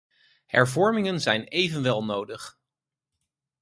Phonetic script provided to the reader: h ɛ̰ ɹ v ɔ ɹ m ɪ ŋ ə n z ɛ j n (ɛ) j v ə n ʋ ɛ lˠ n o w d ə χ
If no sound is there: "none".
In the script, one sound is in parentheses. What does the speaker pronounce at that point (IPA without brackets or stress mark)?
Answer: e